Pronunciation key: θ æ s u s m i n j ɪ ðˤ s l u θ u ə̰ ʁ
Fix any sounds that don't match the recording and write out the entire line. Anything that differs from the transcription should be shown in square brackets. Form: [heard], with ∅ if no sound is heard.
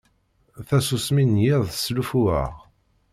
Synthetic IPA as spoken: θ æ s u s m i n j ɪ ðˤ s l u [f] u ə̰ ʁ